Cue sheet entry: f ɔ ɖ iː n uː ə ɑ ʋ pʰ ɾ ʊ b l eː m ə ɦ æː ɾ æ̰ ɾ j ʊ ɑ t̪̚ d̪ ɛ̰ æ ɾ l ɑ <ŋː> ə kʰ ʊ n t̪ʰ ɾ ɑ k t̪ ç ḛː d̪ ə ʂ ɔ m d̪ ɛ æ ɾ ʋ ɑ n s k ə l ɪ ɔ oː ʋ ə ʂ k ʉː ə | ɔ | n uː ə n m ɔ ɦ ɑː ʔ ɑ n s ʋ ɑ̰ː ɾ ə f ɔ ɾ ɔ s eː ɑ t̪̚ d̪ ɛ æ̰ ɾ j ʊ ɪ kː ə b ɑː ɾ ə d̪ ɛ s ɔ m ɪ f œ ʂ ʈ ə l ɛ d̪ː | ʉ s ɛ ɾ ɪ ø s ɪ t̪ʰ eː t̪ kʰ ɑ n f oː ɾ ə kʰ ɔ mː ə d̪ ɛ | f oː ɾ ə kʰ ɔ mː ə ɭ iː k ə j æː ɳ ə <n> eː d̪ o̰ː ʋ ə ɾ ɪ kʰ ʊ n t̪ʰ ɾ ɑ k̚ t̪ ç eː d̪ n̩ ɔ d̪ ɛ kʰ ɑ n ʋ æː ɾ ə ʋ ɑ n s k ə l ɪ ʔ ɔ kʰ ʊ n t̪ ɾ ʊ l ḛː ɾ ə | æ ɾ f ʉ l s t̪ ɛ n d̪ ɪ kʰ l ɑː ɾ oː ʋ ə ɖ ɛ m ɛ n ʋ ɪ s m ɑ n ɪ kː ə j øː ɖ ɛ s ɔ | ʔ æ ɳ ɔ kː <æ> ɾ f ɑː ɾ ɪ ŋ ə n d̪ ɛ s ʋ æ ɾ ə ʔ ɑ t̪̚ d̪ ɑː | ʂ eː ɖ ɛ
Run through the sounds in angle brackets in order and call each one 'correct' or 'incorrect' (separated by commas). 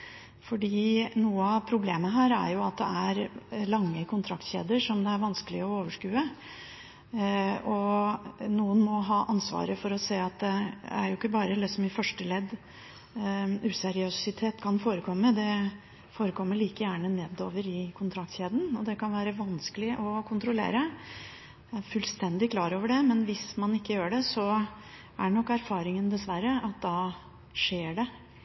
correct, correct, correct